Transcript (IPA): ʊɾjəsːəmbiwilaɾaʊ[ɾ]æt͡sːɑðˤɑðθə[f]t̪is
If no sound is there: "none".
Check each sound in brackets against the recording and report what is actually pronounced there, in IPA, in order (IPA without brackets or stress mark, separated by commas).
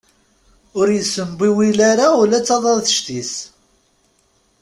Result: l, ʃ